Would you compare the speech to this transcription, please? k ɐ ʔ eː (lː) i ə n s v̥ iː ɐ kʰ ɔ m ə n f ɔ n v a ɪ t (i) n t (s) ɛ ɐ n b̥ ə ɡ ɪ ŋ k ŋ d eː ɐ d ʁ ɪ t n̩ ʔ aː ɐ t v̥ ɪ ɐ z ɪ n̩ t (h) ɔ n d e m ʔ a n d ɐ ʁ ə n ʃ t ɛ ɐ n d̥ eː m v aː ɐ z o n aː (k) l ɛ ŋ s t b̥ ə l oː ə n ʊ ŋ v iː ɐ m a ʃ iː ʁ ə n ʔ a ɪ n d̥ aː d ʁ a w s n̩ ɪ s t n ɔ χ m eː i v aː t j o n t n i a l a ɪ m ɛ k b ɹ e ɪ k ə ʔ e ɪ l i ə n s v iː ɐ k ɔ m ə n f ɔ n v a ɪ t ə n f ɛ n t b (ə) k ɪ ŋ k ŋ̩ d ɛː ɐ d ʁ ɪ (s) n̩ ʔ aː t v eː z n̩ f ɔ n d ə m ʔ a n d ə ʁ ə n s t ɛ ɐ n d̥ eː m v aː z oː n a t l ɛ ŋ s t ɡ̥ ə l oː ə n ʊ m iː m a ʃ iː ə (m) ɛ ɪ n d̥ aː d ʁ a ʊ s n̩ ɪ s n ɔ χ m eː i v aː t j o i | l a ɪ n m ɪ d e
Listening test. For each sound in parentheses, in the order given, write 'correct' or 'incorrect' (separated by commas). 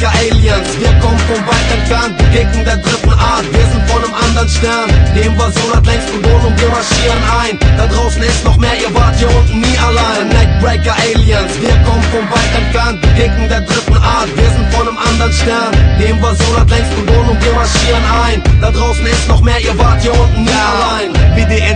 incorrect, incorrect, incorrect, incorrect, incorrect, correct, incorrect, incorrect